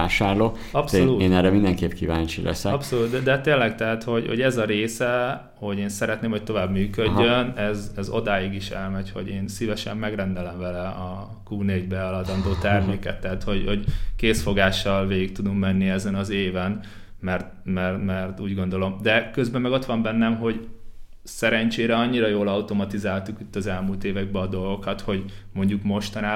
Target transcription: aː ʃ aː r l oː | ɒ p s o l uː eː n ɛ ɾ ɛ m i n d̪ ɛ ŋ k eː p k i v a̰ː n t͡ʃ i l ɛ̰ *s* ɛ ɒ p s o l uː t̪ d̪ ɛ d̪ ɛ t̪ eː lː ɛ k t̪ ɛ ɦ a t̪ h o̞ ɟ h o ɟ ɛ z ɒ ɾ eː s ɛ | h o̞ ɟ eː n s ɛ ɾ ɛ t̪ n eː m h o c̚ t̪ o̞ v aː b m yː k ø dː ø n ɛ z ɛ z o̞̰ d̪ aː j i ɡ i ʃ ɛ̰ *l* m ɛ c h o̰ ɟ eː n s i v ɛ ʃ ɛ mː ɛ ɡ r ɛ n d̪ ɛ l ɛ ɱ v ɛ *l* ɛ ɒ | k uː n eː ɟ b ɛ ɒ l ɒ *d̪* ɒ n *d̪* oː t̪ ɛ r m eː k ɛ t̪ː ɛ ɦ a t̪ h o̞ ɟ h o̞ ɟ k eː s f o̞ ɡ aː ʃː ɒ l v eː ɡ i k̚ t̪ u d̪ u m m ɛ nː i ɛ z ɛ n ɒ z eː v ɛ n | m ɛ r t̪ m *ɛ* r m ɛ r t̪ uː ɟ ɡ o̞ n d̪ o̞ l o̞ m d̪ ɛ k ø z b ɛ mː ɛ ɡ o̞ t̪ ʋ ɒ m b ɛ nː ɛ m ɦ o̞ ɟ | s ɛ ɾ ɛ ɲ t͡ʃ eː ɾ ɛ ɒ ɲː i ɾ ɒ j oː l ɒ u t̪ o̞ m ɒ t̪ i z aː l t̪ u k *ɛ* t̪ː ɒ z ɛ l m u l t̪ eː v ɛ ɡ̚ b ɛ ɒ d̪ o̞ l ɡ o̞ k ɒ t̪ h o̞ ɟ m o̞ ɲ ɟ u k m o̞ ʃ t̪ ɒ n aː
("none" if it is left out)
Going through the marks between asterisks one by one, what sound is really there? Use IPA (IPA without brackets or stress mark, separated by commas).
s, l, l, d̪, d̪, ɛ, i